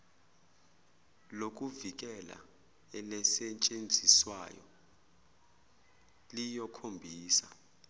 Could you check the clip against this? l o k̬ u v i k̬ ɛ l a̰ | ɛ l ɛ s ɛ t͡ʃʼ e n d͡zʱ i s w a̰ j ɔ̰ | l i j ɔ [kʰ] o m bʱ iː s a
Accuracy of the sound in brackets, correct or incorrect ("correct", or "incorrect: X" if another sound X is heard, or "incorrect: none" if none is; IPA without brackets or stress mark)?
correct